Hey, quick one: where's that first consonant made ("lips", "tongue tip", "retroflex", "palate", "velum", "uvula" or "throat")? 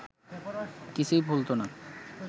velum